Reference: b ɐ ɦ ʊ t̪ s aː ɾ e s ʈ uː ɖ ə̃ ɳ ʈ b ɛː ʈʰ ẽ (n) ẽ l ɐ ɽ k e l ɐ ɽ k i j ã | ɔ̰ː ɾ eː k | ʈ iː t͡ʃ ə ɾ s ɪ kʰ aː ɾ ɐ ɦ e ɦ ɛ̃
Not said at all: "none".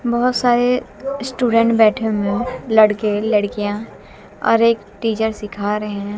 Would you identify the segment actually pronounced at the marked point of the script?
m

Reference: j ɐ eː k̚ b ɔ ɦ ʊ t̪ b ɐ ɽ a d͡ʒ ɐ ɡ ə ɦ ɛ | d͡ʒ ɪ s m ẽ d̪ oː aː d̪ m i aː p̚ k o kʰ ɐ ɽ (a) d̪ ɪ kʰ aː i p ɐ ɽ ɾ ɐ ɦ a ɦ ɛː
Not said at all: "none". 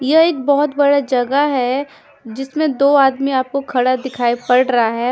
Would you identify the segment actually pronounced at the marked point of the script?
a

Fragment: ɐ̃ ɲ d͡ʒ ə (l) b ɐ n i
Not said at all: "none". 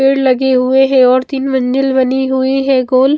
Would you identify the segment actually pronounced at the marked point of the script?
l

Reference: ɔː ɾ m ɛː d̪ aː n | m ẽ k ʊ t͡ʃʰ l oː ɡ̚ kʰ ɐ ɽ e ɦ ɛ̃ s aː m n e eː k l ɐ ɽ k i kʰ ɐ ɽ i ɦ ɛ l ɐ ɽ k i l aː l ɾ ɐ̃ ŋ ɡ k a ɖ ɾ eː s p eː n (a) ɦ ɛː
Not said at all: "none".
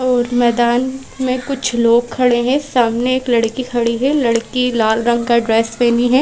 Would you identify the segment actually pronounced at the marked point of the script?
i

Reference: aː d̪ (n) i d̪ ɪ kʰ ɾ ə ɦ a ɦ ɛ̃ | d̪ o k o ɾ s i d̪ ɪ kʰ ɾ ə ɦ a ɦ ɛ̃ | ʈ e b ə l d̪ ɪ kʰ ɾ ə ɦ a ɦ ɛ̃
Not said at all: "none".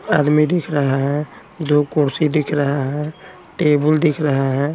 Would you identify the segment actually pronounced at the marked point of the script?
m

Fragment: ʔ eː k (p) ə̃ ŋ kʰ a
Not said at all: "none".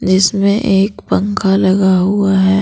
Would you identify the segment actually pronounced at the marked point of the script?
p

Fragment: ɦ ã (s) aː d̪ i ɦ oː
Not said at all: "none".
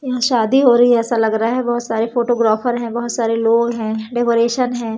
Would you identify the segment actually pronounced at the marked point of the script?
ʃ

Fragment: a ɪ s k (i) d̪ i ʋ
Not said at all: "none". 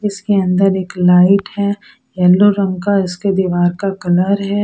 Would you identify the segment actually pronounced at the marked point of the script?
e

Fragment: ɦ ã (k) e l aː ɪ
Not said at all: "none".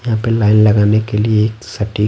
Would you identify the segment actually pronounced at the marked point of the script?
p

